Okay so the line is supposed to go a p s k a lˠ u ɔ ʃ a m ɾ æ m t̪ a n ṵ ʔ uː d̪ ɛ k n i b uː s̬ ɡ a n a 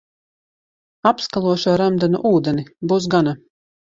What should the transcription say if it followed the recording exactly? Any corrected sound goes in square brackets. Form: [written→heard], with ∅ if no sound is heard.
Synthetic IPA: a p s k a lˠ u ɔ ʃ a [m→∅] ɾ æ m [t̪→d̪] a n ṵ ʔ uː d̪ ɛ [k→∅] n i b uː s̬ ɡ a n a

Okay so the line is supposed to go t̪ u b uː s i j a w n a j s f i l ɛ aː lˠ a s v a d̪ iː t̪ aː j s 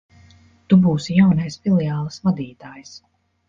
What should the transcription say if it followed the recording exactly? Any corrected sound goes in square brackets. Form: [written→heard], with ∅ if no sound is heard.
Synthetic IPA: t̪ u b uː s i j a w n a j s f i l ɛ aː lˠ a s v a d̪ iː t̪ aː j s

